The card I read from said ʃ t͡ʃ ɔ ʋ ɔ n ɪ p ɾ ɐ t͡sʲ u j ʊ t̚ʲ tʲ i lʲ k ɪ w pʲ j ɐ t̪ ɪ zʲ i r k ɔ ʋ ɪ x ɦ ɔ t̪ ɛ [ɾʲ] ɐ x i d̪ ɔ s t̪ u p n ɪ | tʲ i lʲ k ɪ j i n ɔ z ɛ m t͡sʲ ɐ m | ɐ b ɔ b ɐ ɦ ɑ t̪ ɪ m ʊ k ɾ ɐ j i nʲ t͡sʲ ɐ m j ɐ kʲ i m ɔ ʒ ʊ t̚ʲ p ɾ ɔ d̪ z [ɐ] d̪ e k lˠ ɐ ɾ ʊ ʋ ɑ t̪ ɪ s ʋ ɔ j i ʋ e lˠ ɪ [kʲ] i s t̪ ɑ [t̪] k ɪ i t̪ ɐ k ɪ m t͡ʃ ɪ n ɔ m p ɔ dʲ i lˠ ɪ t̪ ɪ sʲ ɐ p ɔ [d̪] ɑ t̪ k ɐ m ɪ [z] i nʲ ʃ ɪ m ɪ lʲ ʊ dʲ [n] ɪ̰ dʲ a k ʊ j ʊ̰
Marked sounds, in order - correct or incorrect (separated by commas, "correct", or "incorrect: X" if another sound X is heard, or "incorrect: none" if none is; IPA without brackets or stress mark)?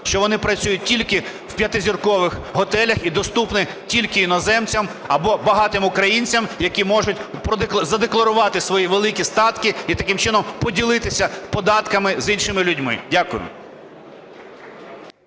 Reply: incorrect: lʲ, correct, correct, correct, correct, correct, incorrect: m